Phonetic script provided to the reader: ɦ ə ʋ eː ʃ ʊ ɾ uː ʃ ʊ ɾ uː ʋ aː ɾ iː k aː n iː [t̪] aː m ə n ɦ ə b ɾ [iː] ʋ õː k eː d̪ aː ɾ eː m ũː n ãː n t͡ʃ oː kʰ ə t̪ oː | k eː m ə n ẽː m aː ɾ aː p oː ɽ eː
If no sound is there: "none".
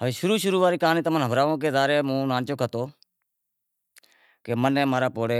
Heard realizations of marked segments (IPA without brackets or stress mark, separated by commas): t̪, aː